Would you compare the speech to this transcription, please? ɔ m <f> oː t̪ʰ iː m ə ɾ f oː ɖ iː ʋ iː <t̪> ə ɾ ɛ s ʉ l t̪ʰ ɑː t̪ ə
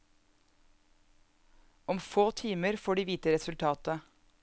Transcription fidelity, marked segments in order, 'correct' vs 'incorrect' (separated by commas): correct, correct